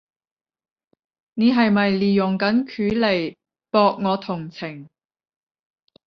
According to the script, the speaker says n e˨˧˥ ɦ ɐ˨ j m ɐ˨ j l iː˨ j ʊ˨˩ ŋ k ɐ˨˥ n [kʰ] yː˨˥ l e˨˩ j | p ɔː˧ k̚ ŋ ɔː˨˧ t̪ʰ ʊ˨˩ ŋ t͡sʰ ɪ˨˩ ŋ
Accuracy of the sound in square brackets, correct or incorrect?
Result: correct